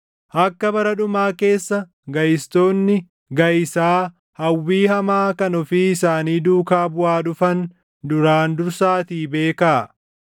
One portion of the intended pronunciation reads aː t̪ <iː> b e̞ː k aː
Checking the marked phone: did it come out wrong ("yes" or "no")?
no